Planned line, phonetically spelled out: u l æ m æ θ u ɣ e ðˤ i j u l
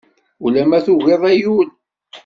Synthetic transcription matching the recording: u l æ m æ θ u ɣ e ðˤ æ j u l

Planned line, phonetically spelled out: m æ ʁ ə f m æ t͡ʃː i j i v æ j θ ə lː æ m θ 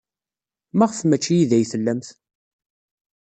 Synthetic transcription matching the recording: m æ ʁ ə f m æ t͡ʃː i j i ð æ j θ ə lː æ m θ

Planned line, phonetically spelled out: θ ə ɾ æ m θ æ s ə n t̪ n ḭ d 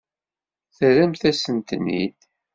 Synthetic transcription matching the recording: θ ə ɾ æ m θ æ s ə n t̪ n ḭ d

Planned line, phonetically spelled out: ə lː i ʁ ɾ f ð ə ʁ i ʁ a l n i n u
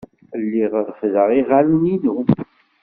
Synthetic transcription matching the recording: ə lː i ʁ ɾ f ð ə ʁ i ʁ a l n i n u

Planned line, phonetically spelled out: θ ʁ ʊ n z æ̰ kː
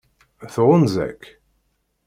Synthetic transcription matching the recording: θ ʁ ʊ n z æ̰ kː

